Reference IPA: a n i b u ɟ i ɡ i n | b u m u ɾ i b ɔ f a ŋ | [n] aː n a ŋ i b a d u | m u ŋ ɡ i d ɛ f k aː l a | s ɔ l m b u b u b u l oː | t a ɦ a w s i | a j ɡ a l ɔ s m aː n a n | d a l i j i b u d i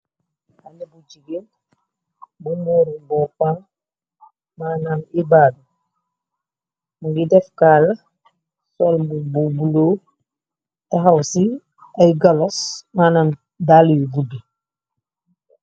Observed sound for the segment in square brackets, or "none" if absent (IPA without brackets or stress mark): m